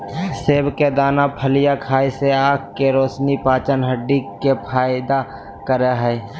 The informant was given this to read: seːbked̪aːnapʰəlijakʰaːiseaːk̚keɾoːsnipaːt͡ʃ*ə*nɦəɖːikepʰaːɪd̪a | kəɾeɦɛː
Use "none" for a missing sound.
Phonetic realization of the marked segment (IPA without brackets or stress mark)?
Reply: ə